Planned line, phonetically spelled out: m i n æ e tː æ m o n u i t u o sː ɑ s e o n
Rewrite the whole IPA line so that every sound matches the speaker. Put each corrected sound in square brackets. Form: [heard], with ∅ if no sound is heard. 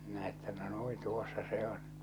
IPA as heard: m i n æ e tː æ [n] o n u i t u o sː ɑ s e o n